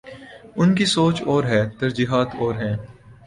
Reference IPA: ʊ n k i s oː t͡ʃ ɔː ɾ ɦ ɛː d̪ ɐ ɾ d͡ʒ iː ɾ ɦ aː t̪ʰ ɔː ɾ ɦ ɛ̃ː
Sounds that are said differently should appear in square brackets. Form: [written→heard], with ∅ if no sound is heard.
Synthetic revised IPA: ʊ n k i s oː t͡ʃ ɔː ɾ ɦ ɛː [d̪→t̪] ɐ ɾ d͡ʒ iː [ɾ→∅] ɦ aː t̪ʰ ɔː ɾ ɦ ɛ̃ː